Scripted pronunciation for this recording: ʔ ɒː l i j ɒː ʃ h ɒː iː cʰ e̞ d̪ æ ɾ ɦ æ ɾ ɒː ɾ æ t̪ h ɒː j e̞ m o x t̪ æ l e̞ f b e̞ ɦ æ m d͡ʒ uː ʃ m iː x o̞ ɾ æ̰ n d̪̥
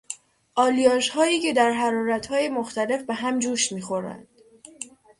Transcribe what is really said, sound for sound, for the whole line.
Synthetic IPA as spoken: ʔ ɒː l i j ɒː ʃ h ɒː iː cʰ e̞ d̪ æ ɾ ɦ æ ɾ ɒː ɾ æ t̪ h ɒː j e̞ m o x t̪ æ l e̞ f b e̞ ɦ æ m d͡ʒ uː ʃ m iː x o̞ ɾ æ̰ n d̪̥